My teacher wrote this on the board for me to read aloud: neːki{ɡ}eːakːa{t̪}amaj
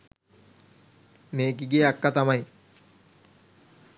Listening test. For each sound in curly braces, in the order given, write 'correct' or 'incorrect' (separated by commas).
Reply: correct, correct